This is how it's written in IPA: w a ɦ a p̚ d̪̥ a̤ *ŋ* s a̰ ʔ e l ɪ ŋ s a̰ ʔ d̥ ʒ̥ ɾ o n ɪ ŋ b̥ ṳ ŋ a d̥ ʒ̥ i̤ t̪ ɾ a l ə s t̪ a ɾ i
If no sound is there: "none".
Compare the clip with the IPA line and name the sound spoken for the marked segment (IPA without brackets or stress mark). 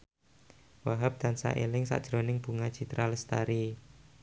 n